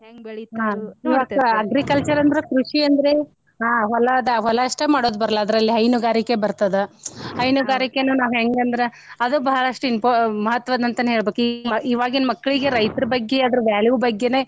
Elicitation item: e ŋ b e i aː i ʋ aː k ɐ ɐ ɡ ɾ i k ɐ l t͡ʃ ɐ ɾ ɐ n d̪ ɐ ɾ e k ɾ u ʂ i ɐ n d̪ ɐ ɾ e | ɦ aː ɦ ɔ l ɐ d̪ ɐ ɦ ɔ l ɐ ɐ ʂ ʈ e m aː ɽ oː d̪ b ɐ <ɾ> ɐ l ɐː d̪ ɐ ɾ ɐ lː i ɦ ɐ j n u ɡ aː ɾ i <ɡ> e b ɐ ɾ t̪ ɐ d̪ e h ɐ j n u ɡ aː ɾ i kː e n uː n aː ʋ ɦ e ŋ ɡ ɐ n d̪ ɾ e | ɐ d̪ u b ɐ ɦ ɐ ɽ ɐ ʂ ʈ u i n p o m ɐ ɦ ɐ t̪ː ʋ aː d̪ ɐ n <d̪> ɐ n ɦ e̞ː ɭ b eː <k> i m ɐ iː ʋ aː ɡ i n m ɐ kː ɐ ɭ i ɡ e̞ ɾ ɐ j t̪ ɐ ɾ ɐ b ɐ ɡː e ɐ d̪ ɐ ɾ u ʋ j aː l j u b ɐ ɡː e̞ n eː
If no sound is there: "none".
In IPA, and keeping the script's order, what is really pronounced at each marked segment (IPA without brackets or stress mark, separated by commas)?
ɾ, k, t̪, k